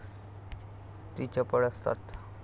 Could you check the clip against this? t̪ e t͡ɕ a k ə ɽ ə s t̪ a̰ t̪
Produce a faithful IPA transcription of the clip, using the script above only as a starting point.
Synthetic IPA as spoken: t̪ i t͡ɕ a p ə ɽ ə s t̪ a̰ t̪